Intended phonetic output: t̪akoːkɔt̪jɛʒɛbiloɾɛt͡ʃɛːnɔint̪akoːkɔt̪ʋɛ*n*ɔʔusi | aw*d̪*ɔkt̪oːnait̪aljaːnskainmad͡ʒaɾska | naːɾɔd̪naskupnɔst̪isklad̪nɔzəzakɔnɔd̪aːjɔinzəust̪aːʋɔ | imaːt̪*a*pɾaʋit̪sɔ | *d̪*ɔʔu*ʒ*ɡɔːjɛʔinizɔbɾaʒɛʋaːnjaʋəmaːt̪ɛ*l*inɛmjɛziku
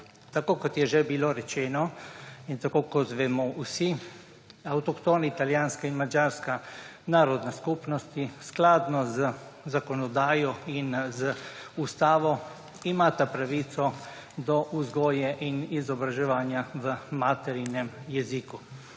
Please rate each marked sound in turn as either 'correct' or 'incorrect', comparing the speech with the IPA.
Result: incorrect, incorrect, correct, correct, incorrect, incorrect

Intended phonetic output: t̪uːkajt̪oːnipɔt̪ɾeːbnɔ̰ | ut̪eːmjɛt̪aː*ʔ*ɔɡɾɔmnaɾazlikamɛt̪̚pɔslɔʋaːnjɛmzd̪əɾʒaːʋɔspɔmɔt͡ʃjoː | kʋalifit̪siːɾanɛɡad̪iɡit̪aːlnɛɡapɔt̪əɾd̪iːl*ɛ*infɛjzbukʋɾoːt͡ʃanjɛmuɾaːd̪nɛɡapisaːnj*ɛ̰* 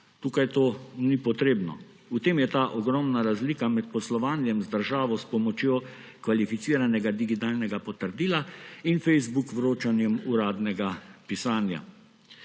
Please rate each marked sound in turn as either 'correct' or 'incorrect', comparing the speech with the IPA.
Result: correct, incorrect, incorrect

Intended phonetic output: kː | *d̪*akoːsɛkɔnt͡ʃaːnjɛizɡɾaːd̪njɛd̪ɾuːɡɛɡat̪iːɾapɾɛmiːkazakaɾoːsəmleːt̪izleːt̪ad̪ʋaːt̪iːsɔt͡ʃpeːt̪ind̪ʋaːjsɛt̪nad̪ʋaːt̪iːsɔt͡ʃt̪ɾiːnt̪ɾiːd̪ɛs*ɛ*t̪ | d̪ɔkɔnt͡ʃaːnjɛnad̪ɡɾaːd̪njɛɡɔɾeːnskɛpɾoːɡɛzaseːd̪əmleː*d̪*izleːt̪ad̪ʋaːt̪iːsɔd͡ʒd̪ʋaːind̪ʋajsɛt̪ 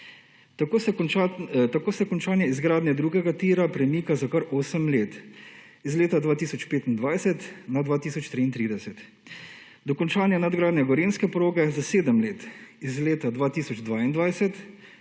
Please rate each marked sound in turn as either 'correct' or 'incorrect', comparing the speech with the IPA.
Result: incorrect, correct, incorrect

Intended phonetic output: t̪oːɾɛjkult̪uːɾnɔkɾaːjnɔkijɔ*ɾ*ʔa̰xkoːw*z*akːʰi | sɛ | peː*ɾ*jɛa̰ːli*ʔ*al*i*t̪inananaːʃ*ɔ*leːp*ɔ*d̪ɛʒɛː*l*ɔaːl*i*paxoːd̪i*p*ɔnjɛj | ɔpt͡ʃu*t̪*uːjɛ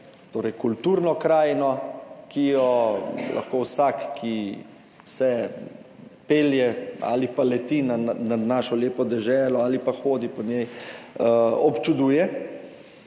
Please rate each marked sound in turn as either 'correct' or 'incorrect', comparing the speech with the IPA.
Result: incorrect, incorrect, incorrect, incorrect, incorrect, correct, correct, correct, correct, correct, incorrect

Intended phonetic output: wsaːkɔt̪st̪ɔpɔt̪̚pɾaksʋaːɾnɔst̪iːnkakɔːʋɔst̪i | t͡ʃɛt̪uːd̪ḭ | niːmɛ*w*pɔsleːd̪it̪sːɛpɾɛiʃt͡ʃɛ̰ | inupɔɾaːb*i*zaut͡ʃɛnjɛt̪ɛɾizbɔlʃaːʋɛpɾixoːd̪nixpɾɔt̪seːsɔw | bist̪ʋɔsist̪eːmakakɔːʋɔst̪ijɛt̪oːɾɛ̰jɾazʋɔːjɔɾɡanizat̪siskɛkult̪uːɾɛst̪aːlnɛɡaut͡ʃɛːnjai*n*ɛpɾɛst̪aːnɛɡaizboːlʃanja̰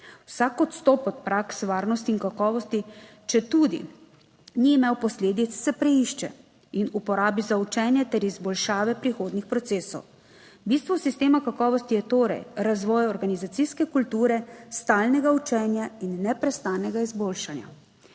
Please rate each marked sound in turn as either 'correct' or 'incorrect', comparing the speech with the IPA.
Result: correct, correct, incorrect

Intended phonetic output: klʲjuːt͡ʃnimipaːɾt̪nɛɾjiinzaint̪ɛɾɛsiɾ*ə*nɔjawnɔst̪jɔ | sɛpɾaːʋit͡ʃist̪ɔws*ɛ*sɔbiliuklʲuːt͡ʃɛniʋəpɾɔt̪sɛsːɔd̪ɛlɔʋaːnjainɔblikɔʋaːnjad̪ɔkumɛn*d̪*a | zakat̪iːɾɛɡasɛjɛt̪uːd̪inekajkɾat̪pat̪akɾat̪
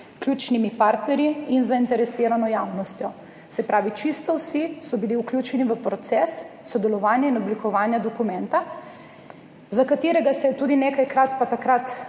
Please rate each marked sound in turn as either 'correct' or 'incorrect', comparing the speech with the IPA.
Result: incorrect, incorrect, incorrect

